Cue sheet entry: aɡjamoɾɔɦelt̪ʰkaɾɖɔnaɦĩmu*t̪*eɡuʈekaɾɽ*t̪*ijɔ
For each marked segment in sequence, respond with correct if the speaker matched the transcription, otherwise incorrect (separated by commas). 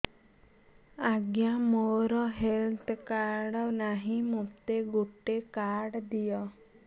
correct, incorrect